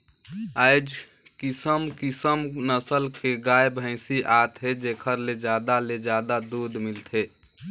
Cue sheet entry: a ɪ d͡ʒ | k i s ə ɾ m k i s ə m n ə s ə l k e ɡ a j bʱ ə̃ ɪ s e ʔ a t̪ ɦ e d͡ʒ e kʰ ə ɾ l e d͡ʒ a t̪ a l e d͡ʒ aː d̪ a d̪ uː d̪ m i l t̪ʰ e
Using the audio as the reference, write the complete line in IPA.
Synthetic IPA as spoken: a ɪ d͡ʒ | k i s ə m k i s ə m n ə s ə l k e ɡ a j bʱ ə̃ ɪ s i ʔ a t̪ ɦ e d͡ʒ e kʰ ə ɾ l e d͡ʒ a d̪ a l e d͡ʒ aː d̪ a d̪ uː d̪ m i l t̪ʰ e